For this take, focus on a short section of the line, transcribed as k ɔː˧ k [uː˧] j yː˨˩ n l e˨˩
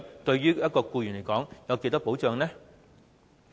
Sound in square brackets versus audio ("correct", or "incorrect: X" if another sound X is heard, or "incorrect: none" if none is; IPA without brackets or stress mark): correct